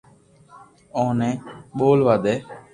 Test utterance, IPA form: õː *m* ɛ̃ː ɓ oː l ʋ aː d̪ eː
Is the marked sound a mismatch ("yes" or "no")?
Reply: yes